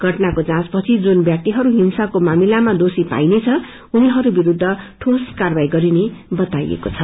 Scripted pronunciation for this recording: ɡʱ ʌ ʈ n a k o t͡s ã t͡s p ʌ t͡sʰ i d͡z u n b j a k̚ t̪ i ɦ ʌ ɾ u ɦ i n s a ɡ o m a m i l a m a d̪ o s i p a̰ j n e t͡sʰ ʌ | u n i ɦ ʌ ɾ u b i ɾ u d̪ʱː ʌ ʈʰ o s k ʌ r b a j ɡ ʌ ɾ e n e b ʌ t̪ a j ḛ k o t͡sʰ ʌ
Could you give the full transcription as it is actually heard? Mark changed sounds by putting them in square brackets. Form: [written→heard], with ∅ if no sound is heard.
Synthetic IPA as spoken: ɡʱ ʌ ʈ n a k o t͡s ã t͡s p ʌ t͡sʰ i d͡z u n b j a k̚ t̪ i ɦ ʌ ɾ u ɦ i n s a [ɡ→k] o m a m i l a m a d̪ o s i p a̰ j n e t͡sʰ ʌ | u n i ɦ ʌ ɾ u b i ɾ u d̪ʱː ʌ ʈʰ o s k [ʌ→a] r b a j ɡ ʌ ɾ [e→i] n e b ʌ t̪ a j ḛ k o t͡sʰ ʌ